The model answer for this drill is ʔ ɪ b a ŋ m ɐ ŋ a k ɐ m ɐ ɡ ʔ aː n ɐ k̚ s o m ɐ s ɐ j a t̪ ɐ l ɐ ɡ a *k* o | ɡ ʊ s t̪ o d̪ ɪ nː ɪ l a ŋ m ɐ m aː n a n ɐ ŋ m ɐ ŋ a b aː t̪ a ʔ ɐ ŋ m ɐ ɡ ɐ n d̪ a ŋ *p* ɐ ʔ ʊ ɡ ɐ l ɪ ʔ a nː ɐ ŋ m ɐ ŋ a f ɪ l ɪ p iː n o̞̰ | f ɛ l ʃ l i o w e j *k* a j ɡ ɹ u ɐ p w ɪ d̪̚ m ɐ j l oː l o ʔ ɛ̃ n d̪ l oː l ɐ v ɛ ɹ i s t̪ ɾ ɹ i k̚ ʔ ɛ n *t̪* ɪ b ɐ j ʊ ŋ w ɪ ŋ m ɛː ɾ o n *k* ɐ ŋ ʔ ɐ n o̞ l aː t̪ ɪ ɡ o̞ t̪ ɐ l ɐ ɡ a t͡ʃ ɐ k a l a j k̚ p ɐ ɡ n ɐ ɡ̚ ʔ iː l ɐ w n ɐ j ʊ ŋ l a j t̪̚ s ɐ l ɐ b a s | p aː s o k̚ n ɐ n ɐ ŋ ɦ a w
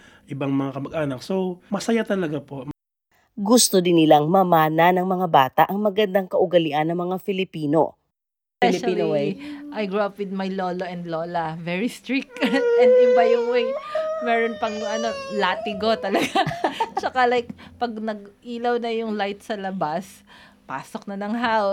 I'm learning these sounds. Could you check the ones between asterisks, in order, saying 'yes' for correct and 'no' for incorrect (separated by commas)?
no, no, no, no, no